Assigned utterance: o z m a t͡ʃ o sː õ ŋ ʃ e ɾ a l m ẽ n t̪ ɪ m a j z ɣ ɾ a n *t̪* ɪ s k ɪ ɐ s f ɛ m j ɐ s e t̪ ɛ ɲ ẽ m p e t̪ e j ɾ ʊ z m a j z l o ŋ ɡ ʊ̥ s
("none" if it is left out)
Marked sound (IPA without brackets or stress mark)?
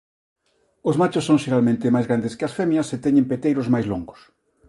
d̪